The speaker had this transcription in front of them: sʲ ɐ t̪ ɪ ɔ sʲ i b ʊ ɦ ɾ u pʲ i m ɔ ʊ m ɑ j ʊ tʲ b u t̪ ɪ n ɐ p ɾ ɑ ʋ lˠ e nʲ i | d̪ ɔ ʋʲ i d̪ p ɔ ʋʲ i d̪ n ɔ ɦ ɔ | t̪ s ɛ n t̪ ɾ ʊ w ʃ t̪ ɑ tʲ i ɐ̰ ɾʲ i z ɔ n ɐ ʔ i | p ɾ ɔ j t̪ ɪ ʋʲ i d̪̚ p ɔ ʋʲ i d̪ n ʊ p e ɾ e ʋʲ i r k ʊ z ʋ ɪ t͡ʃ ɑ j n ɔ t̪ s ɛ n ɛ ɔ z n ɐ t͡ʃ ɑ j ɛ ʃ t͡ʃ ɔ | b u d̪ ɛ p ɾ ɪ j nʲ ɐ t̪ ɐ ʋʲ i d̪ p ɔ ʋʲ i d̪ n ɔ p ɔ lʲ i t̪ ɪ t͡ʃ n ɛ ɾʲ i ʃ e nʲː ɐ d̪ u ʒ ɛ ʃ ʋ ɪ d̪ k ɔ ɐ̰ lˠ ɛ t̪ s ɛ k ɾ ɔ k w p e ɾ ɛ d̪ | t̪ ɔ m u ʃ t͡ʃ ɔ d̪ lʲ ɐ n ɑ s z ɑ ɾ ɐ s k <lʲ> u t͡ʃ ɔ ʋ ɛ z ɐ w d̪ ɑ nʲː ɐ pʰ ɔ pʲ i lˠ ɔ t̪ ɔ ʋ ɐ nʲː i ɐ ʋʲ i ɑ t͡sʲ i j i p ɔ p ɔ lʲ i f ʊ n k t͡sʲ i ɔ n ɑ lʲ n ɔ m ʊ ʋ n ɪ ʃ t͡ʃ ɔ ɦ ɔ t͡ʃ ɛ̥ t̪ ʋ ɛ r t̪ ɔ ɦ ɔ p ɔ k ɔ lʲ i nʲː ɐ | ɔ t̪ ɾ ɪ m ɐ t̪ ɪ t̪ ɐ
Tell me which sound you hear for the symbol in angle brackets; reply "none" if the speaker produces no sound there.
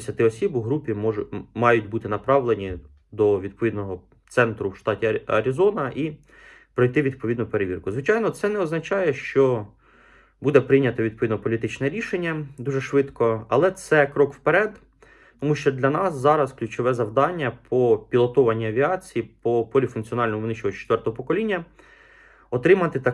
lʲ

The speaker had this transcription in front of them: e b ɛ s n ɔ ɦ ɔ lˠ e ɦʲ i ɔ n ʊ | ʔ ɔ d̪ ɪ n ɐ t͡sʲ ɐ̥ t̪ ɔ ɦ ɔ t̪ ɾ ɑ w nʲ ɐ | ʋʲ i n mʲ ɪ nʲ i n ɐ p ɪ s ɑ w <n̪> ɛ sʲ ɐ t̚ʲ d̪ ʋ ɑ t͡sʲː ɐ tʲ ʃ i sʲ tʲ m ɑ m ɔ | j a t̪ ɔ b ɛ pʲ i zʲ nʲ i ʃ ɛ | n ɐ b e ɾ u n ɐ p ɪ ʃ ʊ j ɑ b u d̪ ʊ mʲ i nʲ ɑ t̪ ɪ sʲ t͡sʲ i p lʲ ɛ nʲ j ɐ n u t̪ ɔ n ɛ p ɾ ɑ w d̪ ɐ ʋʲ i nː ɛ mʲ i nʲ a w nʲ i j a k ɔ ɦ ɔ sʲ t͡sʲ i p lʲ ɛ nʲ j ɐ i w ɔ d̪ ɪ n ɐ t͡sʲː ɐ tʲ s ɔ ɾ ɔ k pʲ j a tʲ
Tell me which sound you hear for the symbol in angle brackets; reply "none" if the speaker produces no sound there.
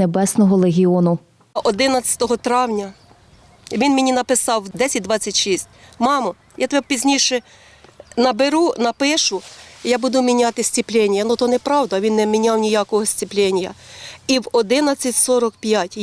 d̪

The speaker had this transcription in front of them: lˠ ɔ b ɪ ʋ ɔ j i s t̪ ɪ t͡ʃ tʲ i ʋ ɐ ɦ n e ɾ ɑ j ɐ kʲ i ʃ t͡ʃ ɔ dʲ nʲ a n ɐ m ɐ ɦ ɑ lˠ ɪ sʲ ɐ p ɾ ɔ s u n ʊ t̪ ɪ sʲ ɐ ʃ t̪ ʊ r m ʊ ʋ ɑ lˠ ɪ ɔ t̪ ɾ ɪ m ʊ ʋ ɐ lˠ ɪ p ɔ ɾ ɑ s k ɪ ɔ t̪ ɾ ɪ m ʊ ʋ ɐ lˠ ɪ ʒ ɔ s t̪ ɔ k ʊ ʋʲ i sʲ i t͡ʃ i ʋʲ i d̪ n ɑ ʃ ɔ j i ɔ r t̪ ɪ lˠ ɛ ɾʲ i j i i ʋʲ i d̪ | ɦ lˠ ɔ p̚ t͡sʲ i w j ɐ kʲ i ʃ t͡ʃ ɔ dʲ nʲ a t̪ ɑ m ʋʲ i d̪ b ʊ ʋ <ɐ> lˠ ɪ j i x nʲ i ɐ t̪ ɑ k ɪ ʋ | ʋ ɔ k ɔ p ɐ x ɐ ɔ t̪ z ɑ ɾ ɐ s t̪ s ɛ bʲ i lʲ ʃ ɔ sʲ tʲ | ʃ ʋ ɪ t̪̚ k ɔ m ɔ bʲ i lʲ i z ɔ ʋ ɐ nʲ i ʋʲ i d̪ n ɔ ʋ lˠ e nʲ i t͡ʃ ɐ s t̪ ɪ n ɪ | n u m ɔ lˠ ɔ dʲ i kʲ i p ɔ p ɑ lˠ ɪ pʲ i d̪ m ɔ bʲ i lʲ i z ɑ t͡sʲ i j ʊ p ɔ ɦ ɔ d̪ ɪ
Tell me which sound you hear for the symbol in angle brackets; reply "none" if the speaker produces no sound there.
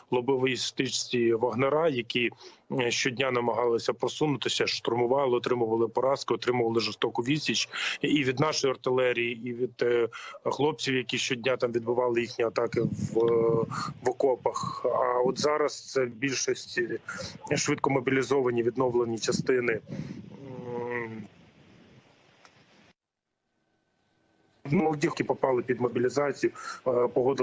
ɑ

